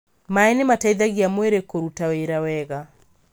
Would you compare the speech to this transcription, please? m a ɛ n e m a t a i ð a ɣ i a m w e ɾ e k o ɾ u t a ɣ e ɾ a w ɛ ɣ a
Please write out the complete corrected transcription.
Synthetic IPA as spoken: m a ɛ n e m a t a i ð a ɣ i a m w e ɾ e k o ɾ u t a w e ɾ a w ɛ ɣ a